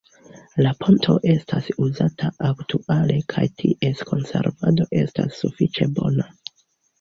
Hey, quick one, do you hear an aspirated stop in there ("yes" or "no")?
yes